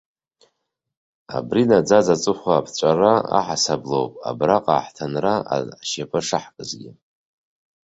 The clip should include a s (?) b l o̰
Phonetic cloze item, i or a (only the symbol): a